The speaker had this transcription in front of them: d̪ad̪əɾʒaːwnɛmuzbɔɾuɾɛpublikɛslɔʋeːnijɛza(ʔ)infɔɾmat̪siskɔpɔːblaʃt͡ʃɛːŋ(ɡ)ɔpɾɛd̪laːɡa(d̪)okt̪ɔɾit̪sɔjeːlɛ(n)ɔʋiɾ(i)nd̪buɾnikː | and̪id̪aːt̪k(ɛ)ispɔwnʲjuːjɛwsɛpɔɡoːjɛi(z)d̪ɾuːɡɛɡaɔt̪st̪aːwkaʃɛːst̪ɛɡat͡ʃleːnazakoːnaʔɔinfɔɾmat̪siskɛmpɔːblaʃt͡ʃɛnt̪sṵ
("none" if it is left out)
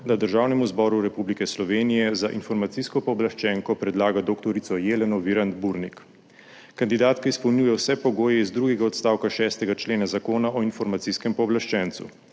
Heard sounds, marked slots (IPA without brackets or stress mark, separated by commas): ʔ, k, d̪, n, a, a, z